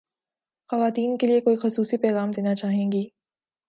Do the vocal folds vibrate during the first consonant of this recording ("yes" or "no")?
no